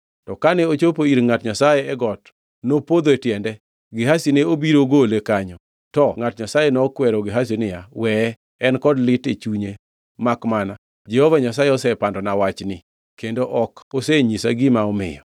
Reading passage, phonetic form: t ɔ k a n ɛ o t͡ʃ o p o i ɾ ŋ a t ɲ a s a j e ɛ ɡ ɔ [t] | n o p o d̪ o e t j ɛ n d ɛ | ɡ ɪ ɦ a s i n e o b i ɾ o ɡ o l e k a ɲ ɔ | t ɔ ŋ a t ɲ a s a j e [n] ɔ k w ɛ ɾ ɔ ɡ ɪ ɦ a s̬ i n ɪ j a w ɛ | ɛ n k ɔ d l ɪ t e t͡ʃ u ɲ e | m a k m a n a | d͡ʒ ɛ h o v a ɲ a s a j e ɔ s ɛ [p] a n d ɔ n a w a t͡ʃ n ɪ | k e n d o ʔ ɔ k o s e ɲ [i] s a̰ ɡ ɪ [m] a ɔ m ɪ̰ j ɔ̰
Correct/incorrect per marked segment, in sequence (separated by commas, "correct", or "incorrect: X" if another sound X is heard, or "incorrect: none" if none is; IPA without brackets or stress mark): correct, correct, correct, correct, correct